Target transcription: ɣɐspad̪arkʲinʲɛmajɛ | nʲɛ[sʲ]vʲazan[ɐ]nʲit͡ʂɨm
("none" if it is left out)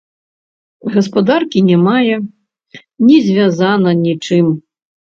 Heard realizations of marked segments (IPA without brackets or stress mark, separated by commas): zʲ, ɐ